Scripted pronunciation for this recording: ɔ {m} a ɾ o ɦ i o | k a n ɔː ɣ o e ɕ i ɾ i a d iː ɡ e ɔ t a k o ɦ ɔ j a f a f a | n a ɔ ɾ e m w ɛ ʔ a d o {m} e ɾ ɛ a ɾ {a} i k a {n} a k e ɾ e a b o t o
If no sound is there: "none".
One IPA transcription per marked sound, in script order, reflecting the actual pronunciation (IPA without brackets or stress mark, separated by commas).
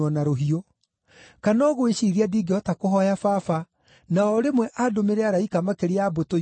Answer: n, m, a, m